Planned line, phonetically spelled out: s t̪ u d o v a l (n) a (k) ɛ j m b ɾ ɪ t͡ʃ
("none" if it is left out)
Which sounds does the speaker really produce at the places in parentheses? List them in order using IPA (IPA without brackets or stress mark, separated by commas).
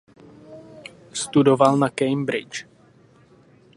n, k